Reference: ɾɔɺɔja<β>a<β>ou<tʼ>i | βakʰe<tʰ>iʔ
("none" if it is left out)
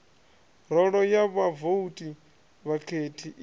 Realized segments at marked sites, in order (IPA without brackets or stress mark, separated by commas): β, v, tʼ, tʰ